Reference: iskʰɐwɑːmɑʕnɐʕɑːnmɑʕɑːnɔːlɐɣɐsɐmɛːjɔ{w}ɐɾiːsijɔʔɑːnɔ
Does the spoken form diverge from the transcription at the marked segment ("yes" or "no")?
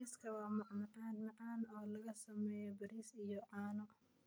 yes